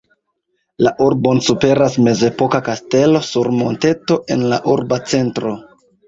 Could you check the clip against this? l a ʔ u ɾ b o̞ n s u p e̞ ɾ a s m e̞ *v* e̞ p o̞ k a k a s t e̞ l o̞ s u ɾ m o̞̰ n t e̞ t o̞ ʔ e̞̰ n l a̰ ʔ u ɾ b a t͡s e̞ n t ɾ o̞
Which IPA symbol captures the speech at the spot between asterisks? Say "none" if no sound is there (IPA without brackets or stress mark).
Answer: z